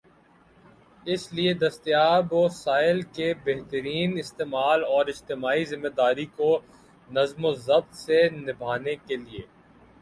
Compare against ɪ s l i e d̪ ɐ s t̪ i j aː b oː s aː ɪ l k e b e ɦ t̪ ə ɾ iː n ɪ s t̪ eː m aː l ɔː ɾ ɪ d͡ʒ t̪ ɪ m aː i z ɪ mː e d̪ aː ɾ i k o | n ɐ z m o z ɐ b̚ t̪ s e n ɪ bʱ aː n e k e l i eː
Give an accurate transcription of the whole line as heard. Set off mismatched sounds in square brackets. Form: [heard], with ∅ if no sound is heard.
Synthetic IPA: ɪ s l i e d̪ ɐ s t̪ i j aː b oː s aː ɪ l k e b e ɦ t̪ ə ɾ iː n ɪ s t̪ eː m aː l ɔː ɾ ɪ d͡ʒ t̪ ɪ m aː i z ɪ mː e d̪ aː ɾ i k o | n ɐ z m o z ɐ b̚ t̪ s e n ɪ bʱ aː n e k e l i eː